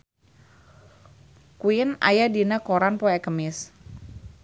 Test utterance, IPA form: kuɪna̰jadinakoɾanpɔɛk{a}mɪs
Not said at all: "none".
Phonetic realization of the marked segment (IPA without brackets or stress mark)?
ə